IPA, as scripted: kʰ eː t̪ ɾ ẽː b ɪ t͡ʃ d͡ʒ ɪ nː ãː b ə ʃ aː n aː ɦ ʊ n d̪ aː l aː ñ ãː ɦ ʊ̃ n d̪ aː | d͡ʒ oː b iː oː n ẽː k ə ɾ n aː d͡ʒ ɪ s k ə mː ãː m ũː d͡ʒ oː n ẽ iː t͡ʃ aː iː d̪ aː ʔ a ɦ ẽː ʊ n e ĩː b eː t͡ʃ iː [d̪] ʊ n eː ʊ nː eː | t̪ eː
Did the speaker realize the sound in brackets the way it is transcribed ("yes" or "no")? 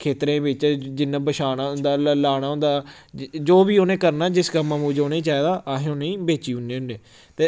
no